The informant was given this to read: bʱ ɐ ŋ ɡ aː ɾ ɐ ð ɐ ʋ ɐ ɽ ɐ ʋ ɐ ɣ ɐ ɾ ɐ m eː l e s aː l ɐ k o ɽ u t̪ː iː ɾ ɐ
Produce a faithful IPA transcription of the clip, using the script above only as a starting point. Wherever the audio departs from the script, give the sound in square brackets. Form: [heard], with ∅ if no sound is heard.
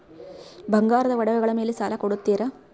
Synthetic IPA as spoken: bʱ ɐ ŋ ɡ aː ɾ ɐ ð ɐ ʋ ɐ ɽ ɐ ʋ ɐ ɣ ɐ [ɭ] ɐ m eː l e s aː l ɐ k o ɽ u t̪ː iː ɾ ɐ